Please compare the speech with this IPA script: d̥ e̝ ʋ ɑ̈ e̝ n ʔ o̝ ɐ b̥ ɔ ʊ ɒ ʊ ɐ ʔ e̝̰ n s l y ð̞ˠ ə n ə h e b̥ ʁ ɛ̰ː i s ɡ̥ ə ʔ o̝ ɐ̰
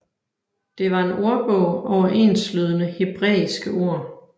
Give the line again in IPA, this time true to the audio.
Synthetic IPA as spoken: d̥ e̝ ʋ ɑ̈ e̝ n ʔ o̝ ɐ b̥ ɔ ʊ ɒ ʊ ɐ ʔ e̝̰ n s l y ð̞ˠ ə n ə h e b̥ ʁ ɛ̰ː i s ɡ̥ ə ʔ o̝ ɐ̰